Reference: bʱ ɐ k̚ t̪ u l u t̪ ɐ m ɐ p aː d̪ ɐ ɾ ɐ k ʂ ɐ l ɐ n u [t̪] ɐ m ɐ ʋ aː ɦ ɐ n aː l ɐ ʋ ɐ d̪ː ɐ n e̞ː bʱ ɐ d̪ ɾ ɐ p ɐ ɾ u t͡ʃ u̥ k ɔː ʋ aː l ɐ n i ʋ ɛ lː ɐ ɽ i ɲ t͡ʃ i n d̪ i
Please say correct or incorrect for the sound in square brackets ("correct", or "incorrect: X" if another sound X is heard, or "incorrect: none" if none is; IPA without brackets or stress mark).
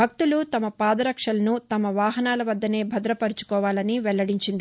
correct